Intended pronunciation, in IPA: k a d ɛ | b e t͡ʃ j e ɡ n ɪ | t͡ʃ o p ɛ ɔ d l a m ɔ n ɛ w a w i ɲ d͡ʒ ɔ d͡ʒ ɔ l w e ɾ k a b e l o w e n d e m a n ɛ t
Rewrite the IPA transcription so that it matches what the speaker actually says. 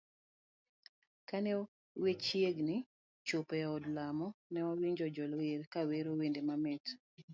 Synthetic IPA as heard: k a n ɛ | w e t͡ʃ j e ɡ n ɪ | t͡ʃ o p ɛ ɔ d l a m ɔ n ɛ w a w i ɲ d͡ʒ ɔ d͡ʒ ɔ l w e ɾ k a w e ɾ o w e n d e m a m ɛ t